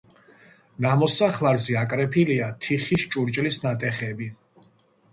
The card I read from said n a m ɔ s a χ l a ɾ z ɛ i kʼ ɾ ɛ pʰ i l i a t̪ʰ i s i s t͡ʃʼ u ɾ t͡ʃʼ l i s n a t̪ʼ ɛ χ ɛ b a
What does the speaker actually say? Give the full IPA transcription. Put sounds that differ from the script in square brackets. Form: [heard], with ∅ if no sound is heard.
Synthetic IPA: n a m ɔ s a χ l a ɾ z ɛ [a] kʼ ɾ ɛ pʰ i l i a t̪ʰ i [χ] i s t͡ʃʼ u ɾ t͡ʃʼ l i s n a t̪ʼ ɛ χ ɛ b [i]